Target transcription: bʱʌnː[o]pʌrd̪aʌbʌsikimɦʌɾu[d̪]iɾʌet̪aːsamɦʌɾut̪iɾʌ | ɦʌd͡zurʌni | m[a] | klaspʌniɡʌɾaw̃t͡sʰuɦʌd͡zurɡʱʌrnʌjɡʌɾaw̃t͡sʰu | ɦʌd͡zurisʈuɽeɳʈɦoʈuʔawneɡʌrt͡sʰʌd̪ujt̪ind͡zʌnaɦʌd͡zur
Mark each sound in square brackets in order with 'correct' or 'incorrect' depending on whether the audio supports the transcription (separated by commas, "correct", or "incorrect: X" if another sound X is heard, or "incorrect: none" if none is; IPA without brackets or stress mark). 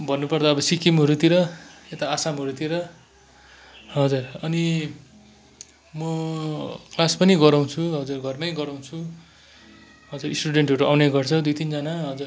incorrect: u, incorrect: t̪, incorrect: ʌ